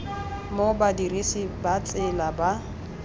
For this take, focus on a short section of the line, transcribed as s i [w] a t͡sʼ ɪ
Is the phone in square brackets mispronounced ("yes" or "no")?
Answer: yes